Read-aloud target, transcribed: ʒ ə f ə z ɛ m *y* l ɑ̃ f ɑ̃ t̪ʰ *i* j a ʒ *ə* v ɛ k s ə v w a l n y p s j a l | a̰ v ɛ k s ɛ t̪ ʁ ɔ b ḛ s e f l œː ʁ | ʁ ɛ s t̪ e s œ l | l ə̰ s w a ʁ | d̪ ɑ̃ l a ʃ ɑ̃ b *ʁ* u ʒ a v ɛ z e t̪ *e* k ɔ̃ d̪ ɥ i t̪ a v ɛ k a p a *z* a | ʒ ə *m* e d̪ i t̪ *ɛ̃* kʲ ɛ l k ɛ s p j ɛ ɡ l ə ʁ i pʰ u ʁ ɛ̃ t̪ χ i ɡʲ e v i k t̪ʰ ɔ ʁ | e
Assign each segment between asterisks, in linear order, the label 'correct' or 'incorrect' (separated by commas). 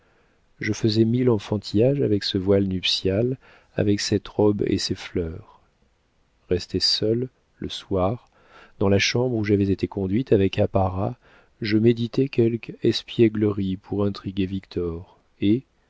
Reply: incorrect, correct, incorrect, correct, correct, incorrect, correct, incorrect